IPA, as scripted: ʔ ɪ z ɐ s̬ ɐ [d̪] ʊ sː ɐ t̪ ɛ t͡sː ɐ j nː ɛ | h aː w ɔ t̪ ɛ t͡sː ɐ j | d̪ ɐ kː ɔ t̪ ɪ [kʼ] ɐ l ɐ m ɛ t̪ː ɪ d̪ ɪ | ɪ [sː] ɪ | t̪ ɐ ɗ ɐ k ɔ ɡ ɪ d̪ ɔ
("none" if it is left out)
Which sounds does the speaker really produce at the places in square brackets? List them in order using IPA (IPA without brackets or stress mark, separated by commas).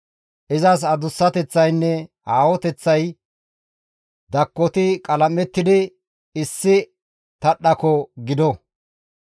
d̪, kʼ, sː